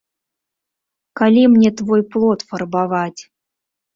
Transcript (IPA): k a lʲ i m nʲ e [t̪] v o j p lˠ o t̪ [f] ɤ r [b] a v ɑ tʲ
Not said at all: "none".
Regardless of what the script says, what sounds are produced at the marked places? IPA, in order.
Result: t̪, f, b

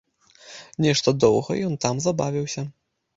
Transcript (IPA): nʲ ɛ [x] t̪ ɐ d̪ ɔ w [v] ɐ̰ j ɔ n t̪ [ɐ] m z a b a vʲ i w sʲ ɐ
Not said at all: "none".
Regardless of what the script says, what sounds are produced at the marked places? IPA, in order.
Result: ʂ, ɣ, a

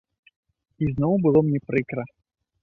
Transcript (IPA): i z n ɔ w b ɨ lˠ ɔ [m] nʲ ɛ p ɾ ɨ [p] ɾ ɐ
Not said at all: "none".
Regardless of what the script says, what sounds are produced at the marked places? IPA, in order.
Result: m, k

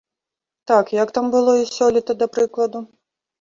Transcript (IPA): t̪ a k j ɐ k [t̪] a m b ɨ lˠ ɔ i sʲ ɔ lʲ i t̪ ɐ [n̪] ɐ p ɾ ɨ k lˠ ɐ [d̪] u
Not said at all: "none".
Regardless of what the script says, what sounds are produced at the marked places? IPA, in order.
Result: t̪, d̪, d̪

